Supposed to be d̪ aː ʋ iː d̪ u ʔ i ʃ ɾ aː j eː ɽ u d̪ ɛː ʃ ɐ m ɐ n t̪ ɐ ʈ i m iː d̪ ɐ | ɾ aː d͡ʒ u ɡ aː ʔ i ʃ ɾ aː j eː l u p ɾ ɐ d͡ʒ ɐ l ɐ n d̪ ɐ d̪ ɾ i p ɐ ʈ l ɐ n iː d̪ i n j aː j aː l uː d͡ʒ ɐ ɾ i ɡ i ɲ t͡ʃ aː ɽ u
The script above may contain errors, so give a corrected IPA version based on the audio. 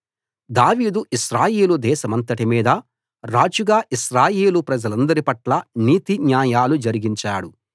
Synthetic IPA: d̪ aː ʋ iː d̪ u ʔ i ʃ ɾ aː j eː l u d̪ ɛː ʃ ɐ m ɐ n t̪ ɐ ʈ i m iː d̪ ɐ | ɾ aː d͡ʒ u ɡ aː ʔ i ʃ ɾ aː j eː l u p ɾ ɐ d͡ʒ ɐ l ɐ n d̪ ɐ ɾ i p ɐ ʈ l ɐ n iː t̪ i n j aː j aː l u d͡ʒ ɐ ɾ i ɡ i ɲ t͡ʃ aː ɽ u